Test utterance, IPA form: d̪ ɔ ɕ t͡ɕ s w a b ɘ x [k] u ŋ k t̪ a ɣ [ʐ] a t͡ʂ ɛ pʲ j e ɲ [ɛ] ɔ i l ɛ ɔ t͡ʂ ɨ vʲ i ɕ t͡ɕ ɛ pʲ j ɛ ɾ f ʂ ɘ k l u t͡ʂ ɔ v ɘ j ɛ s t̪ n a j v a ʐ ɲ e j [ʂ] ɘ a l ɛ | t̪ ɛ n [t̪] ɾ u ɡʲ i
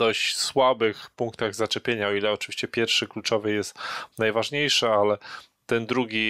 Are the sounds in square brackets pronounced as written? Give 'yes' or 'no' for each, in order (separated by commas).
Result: no, no, no, yes, no